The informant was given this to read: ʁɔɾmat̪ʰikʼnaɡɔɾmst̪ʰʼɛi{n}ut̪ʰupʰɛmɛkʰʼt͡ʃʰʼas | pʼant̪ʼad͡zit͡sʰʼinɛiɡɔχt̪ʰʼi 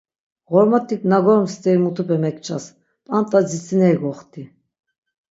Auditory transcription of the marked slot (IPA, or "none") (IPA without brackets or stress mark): m